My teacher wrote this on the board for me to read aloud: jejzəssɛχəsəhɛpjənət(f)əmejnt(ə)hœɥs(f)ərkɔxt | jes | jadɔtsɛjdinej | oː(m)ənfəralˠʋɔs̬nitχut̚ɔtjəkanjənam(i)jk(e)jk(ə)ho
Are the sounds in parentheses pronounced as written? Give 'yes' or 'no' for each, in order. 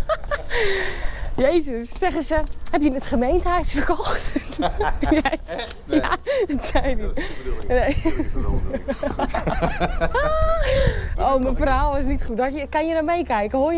no, yes, yes, yes, no, no, yes

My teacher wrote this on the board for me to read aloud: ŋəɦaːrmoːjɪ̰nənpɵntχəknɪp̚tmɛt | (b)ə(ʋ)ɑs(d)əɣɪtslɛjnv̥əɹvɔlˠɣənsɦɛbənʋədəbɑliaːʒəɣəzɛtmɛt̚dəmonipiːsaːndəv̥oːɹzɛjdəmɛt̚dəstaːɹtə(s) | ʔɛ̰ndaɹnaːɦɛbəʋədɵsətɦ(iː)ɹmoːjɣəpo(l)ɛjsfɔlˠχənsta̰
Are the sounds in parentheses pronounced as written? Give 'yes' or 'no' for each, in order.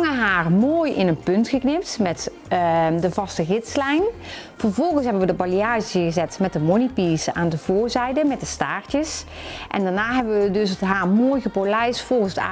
no, no, no, yes, no, yes

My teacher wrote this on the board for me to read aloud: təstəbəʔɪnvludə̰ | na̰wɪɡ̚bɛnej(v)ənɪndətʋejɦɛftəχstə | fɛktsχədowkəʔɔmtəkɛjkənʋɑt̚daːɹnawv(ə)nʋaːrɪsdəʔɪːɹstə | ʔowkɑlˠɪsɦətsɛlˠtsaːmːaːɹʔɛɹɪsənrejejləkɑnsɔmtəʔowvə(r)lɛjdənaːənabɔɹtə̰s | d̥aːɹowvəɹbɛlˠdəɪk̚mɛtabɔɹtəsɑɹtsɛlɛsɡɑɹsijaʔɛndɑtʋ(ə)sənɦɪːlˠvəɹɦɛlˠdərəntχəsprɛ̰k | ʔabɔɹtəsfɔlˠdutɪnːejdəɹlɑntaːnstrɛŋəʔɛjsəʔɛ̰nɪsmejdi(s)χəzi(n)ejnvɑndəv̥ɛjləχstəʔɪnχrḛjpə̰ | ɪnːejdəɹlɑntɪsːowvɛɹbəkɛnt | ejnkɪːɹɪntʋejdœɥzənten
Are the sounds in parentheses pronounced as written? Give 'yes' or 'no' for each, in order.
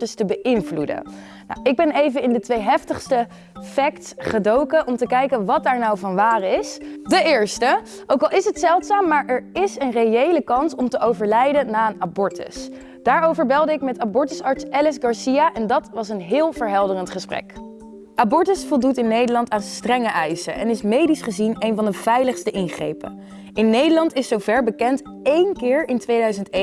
yes, no, no, no, yes, yes

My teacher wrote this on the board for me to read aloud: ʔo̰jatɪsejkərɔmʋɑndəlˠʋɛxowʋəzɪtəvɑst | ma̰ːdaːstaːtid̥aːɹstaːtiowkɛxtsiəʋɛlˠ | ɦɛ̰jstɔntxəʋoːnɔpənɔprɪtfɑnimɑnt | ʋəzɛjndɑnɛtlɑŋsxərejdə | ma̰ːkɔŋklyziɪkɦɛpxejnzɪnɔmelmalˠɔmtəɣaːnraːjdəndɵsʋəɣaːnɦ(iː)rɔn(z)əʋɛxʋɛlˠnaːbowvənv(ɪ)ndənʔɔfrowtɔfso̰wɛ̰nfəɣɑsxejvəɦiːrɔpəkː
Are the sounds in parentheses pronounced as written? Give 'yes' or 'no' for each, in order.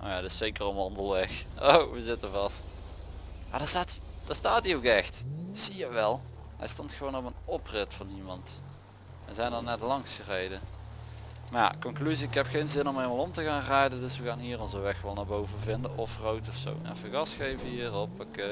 yes, yes, yes

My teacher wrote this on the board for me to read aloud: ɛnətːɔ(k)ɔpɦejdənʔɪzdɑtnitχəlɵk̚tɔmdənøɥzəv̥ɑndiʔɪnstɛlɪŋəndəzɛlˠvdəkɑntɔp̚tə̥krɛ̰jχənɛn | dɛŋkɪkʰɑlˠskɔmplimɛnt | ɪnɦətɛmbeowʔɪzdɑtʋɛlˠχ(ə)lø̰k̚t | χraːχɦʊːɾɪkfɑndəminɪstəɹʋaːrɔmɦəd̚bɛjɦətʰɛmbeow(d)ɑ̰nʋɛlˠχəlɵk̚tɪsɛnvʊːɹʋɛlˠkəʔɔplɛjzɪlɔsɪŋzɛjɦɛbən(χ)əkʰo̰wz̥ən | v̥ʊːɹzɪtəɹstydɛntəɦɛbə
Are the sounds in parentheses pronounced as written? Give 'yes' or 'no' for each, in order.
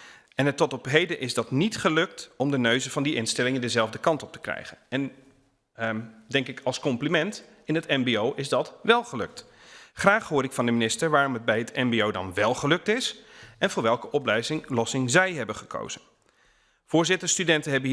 no, yes, yes, yes

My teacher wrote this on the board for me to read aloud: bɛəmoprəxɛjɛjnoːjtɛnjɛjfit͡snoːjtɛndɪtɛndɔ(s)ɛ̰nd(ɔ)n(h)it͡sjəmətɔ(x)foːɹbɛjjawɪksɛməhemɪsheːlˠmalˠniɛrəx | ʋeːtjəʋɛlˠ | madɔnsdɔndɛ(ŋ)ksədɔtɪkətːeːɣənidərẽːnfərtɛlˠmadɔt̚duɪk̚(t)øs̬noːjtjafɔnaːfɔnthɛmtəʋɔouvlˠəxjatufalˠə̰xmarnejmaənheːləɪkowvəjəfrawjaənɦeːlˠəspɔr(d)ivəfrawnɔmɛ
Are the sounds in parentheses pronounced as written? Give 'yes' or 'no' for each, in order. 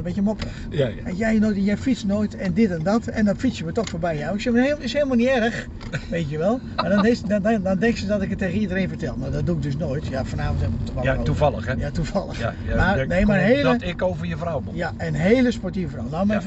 no, yes, no, yes, yes, no, no

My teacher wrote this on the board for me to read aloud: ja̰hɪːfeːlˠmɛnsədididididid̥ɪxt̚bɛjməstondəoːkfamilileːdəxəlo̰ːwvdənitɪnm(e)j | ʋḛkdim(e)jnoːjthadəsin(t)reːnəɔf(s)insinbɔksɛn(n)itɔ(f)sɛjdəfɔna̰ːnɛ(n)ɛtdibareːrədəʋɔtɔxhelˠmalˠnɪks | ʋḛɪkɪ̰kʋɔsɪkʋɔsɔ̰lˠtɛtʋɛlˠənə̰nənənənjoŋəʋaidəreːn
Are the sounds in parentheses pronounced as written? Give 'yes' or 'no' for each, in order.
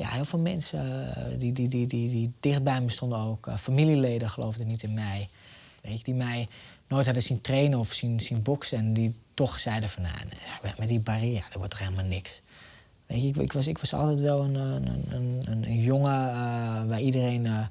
no, no, yes, yes, no, no, no

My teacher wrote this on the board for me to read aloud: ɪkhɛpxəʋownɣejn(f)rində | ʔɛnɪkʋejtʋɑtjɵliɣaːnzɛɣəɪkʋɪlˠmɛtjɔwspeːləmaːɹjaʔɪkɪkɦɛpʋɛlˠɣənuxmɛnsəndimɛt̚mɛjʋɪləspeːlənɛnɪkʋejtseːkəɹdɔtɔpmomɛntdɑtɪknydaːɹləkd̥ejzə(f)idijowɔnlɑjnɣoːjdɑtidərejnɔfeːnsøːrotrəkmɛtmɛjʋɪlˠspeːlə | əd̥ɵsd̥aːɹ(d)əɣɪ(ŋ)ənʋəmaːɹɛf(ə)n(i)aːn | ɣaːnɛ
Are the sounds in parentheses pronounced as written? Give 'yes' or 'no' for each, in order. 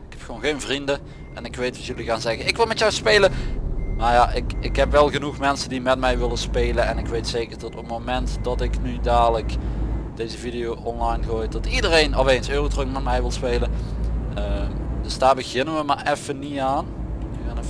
no, no, no, no, yes, yes

